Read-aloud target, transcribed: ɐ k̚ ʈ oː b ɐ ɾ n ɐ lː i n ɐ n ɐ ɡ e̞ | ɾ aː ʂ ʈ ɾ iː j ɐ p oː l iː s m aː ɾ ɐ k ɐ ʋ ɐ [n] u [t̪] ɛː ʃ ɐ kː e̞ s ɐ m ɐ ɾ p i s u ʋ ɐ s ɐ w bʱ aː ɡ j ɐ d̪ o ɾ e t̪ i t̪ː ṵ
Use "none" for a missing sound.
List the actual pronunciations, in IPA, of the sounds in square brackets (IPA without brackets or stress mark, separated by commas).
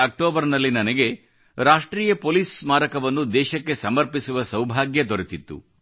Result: nː, d̪